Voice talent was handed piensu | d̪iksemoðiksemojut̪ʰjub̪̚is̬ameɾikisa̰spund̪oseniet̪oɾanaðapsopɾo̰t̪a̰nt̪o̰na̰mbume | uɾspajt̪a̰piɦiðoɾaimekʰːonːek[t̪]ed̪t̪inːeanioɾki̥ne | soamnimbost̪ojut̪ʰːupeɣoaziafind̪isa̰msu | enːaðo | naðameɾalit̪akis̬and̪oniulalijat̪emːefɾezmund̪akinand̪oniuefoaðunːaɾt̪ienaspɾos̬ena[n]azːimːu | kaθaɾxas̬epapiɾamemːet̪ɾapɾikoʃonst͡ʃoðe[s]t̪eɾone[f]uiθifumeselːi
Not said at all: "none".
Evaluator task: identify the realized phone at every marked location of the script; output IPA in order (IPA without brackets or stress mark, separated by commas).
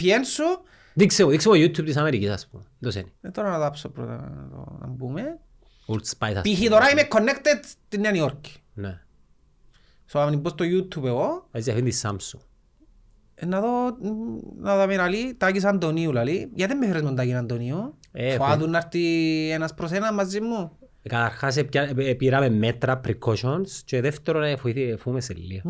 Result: t̪, m, f, f